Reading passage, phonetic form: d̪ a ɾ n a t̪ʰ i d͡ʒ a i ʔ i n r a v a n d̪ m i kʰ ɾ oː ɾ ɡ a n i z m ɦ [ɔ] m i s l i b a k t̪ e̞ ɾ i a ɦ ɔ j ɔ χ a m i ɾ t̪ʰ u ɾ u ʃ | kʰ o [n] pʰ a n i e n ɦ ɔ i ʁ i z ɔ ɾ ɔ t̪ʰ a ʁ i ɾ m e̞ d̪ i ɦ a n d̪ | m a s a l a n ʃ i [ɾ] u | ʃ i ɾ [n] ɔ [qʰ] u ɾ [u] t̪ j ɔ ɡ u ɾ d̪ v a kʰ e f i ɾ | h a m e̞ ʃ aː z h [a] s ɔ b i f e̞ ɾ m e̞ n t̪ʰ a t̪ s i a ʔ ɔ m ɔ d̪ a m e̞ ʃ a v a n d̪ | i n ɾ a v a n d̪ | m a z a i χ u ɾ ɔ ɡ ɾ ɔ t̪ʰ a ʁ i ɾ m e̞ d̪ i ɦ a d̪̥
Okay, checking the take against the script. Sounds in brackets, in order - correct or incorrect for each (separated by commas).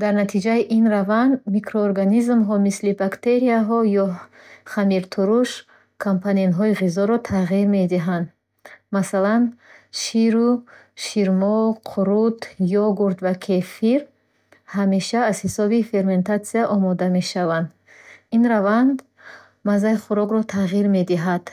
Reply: correct, incorrect, correct, incorrect, correct, correct, incorrect